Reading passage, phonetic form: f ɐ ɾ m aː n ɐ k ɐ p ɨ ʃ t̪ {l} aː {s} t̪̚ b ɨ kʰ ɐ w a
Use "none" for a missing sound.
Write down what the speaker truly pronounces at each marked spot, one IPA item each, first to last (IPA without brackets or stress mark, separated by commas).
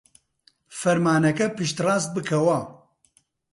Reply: r, s